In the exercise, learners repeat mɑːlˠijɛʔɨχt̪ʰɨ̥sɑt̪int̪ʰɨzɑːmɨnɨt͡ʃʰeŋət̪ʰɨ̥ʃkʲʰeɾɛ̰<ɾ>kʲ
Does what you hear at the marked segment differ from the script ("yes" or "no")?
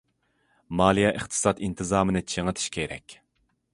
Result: yes